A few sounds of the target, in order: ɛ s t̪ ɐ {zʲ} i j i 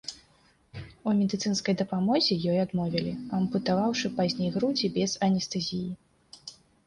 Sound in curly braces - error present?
no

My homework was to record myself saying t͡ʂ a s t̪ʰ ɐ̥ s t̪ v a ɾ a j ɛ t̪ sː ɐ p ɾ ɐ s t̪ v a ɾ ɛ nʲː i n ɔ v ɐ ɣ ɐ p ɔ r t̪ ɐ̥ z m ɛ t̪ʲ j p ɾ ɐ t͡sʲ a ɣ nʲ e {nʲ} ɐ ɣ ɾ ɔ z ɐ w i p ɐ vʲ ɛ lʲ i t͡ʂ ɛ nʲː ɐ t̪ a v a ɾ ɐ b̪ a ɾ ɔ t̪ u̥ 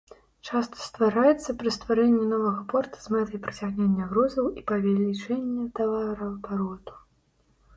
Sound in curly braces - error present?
yes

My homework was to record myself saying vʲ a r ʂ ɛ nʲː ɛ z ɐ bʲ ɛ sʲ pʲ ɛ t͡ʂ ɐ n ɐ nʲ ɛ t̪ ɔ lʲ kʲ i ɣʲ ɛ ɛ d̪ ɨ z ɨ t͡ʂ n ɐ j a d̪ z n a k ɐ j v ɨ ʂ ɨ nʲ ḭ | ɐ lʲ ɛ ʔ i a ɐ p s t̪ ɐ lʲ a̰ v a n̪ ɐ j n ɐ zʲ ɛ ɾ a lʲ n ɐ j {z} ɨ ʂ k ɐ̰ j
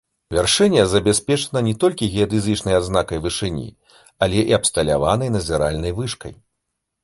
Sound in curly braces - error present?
yes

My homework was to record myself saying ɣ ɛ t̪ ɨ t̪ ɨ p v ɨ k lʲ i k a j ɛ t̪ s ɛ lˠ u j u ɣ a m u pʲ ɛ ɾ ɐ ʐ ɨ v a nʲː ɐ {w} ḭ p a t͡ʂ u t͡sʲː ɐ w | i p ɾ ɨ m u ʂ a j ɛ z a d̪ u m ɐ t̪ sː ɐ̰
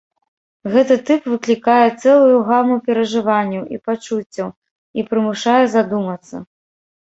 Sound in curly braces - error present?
no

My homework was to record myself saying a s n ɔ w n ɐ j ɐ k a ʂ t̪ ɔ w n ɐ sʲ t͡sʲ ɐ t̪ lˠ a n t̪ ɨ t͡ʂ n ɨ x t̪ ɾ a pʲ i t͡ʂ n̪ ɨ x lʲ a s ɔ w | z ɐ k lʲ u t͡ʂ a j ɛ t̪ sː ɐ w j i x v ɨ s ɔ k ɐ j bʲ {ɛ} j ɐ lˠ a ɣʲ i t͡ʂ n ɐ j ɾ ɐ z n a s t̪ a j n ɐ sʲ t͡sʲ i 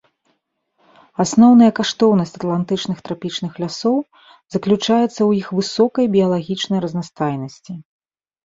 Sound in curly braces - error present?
yes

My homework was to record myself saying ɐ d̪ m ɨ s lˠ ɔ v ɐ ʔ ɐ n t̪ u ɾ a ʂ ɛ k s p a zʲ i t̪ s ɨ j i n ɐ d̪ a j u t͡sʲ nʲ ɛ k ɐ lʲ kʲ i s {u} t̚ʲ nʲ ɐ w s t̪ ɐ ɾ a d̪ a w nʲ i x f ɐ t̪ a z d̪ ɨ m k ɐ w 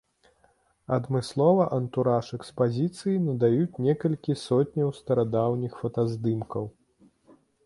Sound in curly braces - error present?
yes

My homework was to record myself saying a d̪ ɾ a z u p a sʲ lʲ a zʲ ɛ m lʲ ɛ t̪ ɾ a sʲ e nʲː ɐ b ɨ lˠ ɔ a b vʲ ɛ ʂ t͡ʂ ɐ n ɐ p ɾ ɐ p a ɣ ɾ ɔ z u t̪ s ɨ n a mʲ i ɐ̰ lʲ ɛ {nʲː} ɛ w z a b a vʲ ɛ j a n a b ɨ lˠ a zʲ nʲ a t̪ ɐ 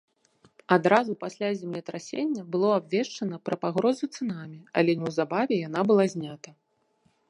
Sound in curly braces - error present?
yes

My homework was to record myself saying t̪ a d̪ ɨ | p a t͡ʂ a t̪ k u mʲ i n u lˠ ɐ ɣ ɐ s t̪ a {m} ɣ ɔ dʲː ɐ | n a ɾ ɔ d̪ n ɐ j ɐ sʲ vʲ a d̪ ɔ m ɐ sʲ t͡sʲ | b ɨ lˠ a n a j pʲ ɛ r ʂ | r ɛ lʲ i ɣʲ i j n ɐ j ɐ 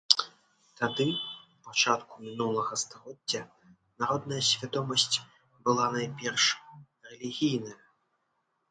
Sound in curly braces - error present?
yes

